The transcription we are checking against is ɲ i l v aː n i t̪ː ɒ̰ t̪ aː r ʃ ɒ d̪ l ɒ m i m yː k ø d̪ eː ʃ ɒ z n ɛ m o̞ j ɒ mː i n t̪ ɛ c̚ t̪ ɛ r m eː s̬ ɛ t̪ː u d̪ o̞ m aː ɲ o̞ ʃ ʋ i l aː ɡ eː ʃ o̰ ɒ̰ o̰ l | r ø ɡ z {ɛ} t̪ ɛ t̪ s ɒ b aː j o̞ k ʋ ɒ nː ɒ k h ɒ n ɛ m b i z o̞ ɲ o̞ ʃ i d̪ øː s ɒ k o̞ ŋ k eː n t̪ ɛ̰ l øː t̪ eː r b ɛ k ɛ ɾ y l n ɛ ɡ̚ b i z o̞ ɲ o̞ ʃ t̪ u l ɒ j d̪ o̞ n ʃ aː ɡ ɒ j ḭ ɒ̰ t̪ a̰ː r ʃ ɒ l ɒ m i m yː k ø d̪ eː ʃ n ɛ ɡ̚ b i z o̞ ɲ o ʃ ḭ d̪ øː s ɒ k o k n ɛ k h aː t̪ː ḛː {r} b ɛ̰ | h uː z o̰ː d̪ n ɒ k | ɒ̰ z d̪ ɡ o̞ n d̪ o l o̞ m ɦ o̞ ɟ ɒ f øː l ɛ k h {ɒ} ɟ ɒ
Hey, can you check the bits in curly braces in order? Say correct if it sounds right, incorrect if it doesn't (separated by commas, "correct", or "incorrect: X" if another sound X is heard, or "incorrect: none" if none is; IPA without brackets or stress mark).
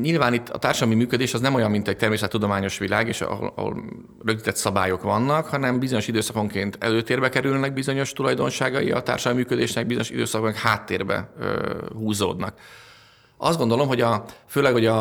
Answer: incorrect: i, correct, incorrect: o